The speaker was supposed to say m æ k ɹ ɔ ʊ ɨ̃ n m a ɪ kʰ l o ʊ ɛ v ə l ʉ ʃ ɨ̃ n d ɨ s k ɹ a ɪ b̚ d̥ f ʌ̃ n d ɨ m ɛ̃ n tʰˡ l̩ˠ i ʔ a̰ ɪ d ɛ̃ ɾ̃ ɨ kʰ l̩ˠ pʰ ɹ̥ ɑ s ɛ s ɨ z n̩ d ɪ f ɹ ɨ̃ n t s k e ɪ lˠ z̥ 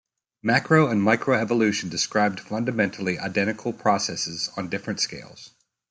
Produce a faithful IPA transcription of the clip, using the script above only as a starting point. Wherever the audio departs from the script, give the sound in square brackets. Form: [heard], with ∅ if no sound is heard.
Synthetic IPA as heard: m æ k ɹ [o] ʊ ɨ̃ n m a ɪ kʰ [ɹ] o ʊ ɛ v ə l ʉ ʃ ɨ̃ n d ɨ s k ɹ a ɪ b̚ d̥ f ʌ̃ n d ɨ m ɛ̃ n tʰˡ l̩ˠ i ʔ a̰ ɪ d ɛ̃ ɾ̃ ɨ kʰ l̩ˠ pʰ ɹ̥ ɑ s ɛ s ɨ z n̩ d ɪ f ɹ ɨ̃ n t s k e ɪ lˠ z̥